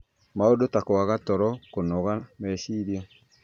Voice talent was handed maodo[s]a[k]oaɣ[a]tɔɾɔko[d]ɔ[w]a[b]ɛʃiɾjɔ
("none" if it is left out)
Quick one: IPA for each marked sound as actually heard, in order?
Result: t, k, a, n, ɣ, m

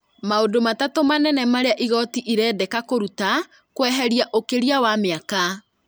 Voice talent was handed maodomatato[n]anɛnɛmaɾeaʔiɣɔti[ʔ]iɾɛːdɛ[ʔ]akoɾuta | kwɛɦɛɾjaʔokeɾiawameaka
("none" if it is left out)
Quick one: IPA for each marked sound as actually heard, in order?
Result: m, ʔ, k

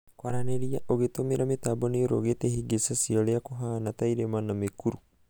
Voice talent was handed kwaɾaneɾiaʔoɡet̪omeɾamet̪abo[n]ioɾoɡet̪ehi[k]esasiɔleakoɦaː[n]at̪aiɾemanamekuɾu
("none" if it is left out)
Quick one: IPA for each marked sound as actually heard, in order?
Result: n, ɡ, n

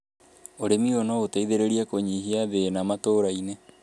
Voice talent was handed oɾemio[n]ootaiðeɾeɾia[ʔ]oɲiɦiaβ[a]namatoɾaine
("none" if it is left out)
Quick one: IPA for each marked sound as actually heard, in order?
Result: n, k, e

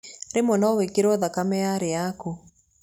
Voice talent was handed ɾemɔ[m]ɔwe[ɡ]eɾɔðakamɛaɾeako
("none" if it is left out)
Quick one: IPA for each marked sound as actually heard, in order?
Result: n, k

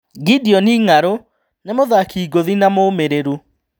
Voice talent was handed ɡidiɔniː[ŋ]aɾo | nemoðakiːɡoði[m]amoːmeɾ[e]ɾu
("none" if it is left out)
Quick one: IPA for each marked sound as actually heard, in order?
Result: ŋ, n, e

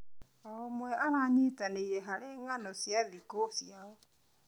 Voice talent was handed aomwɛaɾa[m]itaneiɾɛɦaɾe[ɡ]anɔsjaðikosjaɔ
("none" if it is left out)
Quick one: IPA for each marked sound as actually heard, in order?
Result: ɲ, ŋ

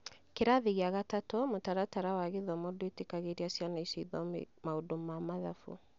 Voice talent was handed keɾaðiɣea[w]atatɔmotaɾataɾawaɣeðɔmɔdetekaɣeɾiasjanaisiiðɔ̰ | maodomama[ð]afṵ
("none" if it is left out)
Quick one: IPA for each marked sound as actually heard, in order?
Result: ɣ, ð

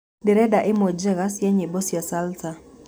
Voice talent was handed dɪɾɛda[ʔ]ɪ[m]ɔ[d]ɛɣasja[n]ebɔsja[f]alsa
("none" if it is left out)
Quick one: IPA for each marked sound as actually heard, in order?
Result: ʔ, m, d͡ʒ, ɲ, s

